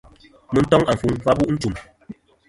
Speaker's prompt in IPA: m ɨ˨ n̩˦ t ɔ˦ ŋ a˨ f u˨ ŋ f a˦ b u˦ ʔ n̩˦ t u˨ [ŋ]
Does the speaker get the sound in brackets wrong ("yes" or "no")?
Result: yes